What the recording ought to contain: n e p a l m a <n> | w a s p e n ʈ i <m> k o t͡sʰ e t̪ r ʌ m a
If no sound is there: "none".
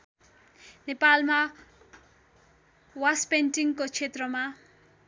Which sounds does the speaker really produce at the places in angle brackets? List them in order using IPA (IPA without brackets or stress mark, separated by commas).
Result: none, ŋ